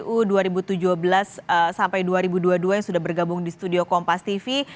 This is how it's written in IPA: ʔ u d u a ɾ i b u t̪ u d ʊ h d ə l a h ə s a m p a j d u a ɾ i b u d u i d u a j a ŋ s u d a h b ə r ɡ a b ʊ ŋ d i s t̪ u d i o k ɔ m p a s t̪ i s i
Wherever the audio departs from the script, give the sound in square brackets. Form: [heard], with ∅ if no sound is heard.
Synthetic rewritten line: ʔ u d u a ɾ i b u t̪ u [d͡ʒ] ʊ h [b] ə l a [s] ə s a m p a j d u a ɾ i b u d u [a] d u a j a ŋ s u d a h b ə r ɡ a b ʊ ŋ d i s t̪ u d i o k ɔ m p a s t̪ i [f] i